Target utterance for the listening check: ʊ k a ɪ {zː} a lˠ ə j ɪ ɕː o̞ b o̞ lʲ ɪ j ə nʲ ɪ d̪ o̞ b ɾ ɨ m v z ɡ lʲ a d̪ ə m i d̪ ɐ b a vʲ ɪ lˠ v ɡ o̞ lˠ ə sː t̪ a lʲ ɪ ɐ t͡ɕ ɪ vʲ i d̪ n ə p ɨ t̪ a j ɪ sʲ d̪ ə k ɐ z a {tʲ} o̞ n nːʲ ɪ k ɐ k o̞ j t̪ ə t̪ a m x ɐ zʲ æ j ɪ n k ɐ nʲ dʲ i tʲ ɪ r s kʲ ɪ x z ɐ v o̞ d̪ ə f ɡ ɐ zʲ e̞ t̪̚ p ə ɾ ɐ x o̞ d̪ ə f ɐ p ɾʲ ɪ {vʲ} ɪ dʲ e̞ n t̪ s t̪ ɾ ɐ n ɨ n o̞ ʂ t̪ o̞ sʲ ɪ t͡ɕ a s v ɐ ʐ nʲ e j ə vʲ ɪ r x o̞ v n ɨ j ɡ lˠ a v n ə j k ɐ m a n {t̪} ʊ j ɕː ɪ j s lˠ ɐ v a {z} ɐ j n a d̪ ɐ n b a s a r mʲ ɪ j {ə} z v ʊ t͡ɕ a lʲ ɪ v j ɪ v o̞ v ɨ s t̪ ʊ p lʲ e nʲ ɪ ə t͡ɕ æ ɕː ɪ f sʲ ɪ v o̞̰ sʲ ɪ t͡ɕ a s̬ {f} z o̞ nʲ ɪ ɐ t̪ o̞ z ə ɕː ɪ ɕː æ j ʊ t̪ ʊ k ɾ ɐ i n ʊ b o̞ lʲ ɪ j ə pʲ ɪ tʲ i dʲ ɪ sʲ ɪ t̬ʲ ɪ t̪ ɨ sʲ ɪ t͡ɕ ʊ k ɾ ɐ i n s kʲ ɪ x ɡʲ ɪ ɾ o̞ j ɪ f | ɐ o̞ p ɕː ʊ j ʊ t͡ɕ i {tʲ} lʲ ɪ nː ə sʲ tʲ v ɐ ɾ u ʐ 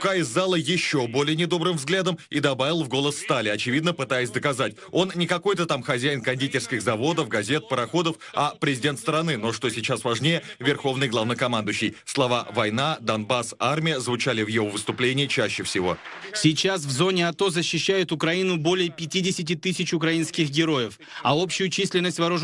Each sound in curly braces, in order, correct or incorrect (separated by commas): correct, correct, incorrect, incorrect, incorrect, correct, incorrect, incorrect